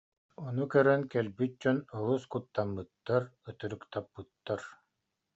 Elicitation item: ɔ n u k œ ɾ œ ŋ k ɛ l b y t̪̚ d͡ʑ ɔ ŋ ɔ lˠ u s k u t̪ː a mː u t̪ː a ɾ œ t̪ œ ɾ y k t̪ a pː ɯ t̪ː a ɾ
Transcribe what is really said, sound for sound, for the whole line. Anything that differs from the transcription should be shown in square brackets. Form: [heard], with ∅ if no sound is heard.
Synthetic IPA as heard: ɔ n u k œ ɾ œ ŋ k ɛ l b y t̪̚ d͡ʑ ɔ [n] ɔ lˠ u s k u t̪ː a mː [ɯ] t̪ː a ɾ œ t̪ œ ɾ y k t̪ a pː ɯ t̪ː a ɾ